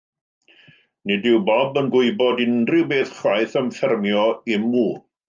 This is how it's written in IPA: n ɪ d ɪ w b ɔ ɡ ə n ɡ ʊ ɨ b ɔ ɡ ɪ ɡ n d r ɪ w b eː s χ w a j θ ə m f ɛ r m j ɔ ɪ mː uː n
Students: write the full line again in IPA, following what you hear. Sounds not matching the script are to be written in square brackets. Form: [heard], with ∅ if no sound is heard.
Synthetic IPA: n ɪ d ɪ w b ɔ [b] ə n ɡ ʊ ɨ b ɔ [d] ɪ [∅] n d r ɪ w b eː [θ] χ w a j θ ə m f ɛ r m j ɔ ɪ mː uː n